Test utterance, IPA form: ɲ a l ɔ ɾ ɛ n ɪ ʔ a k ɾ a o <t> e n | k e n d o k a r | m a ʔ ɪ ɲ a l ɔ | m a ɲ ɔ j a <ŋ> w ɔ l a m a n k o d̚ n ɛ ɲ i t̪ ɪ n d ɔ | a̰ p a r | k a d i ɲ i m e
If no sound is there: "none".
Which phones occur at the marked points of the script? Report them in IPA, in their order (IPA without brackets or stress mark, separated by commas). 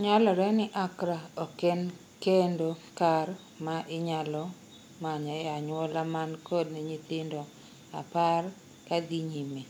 k, ɲ